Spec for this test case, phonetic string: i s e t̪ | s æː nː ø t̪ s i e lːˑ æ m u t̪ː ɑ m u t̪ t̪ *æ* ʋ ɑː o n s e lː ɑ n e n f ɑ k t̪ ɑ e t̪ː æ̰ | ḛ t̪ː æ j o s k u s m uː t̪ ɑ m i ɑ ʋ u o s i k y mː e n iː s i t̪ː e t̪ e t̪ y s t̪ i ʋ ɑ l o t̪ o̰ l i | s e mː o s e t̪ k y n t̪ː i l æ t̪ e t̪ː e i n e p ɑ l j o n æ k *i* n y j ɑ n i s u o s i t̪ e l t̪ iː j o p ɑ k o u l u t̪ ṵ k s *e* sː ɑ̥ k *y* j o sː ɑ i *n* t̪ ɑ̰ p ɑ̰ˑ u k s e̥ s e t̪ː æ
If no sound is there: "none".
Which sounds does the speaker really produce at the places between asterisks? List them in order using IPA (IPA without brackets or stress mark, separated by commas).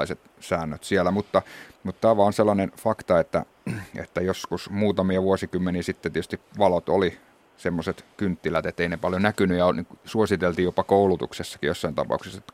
æː, y, e, i, n